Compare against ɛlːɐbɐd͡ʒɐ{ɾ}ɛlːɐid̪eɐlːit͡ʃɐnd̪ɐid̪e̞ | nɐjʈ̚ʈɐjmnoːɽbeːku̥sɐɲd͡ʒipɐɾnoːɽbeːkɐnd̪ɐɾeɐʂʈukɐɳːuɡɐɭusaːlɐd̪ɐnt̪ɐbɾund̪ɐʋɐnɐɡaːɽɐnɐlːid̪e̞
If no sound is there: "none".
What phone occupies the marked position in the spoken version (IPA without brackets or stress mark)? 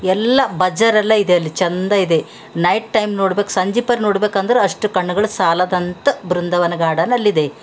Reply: ɾ